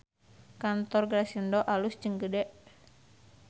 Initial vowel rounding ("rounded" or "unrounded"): unrounded